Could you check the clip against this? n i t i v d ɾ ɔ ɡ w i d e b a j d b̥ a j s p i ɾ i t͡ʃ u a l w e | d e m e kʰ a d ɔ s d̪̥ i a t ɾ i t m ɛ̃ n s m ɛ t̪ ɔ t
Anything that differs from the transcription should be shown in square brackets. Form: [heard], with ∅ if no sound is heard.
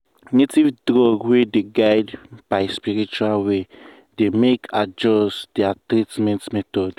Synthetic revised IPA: n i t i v d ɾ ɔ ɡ w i d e [ɡ] a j d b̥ a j s p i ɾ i t͡ʃ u a l w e | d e m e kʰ a [d͡ʒ] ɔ s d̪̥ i a t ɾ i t m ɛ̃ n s m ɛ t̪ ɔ [d]

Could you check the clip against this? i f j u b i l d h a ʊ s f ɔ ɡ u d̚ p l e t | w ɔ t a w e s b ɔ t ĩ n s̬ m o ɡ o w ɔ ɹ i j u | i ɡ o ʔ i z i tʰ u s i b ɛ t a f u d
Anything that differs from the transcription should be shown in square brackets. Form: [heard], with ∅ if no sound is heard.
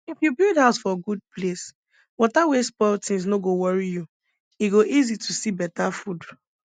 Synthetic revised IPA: i f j u b i l d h a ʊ s f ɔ ɡ u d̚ p l e [s] | w ɔ t a w e s [p] ɔ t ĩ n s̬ [n] o ɡ o w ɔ ɹ i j u | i ɡ o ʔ i z i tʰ u s i b ɛ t a f u d

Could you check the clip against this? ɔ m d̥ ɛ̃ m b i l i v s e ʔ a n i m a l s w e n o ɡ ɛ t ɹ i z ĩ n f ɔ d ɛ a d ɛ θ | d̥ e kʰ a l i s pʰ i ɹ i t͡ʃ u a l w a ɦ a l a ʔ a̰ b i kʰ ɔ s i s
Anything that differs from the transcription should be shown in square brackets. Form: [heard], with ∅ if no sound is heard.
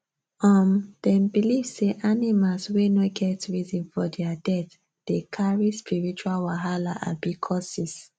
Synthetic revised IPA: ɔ m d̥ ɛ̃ m b i l i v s e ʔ a n i m a l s w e n o ɡ ɛ t ɹ i z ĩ n f ɔ d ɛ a d ɛ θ | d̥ e kʰ a [ɹ] i s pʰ i ɹ i t͡ʃ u a l w a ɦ a l a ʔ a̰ b i kʰ ɔ s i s

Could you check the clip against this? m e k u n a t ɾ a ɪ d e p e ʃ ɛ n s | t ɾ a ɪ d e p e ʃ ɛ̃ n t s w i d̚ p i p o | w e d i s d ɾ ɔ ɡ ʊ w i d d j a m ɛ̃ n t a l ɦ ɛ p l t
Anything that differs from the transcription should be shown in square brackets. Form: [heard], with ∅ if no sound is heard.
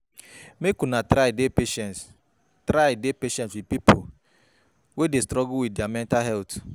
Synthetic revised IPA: m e k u n a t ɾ a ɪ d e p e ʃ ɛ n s | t ɾ a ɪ d e p e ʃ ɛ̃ n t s w i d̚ p i p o | w e d [e] s [t] ɾ ɔ ɡ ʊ w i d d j a m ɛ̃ n t a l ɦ ɛ [∅] l t

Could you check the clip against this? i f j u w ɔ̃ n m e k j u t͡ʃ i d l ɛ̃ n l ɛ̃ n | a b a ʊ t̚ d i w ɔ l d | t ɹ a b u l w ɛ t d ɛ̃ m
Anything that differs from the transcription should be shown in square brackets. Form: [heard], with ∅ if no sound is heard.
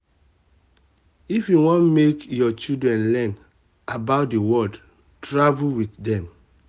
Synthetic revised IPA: i f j u w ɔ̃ n m e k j [ɔ] t͡ʃ i d [ɹ] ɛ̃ n l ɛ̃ n | a b a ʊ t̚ d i w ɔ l d | t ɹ a [v] u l w [i] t d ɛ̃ m

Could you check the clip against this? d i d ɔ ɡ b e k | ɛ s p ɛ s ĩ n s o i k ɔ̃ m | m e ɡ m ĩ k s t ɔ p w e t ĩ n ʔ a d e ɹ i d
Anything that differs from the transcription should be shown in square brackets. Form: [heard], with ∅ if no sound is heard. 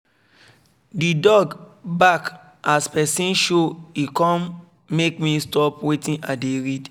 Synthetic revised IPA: d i d ɔ ɡ b [a] k | [a] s p ɛ s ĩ n [ʃ] o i k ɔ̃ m | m e [k] m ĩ [∅] s t ɔ p w e t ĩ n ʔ a d e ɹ i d

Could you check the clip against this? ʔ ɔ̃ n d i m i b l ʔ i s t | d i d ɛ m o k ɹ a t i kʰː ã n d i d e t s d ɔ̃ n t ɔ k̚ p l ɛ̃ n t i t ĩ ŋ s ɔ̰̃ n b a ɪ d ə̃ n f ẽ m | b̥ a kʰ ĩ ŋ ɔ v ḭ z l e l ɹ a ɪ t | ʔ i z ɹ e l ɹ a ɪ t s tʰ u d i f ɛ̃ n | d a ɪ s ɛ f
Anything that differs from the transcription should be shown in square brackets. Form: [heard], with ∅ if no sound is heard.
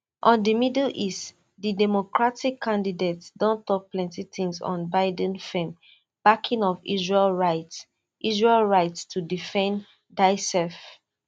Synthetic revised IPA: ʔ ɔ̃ n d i m i [d] l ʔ i s t | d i d ɛ m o k ɹ a t i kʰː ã n d i d e t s d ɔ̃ n t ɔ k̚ p l ɛ̃ n t i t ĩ ŋ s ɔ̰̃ n b a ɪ d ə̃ n f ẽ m | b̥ a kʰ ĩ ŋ ɔ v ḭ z [ɹ] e l ɹ a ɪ t | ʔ i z ɹ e l ɹ a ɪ t s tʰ u d i f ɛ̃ n | d a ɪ s ɛ f

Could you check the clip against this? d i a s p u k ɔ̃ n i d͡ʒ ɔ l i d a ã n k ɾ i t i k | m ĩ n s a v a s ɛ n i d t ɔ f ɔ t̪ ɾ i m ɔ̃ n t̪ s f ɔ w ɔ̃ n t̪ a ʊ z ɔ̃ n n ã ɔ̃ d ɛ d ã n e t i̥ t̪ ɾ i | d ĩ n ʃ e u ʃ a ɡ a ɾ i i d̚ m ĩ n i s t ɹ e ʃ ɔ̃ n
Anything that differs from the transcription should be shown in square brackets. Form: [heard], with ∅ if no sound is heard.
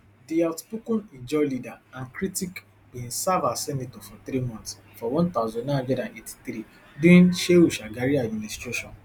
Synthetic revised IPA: d i a [t] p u k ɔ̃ n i d͡ʒ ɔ l i d a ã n k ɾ i t i k | [b] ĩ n s a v a s ɛ n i [∅] t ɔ f ɔ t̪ ɾ i m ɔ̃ n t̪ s f ɔ w ɔ̃ n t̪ a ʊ z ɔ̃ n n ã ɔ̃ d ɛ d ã n e t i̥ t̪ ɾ i | d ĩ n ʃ e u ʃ a ɡ a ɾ i [a] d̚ m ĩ n i s t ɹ e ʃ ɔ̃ n

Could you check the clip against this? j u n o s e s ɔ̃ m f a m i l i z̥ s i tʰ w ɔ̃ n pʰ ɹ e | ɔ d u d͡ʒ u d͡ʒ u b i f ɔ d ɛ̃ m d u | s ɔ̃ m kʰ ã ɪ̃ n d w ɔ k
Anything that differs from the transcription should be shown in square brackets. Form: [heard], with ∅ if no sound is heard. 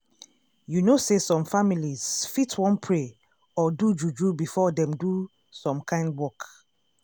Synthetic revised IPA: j u n o s e s ɔ̃ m f a m i l i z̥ [f] i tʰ w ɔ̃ n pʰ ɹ e | ɔ d u d͡ʒ u d͡ʒ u b i f ɔ d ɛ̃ m d u | s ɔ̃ m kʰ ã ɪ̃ n d w ɔ k

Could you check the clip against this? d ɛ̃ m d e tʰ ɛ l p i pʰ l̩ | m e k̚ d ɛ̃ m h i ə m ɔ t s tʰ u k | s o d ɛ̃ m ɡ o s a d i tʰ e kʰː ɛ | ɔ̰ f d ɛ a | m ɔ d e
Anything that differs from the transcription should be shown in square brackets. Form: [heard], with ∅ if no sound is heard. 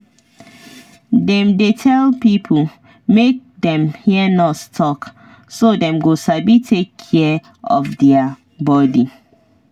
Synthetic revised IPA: d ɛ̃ m d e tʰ ɛ l p i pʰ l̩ | m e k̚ d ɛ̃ m h i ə [n] ɔ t s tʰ [ɔ] k | s o d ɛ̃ m ɡ o s a [b] i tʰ e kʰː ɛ | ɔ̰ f d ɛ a | [b] ɔ d [i]

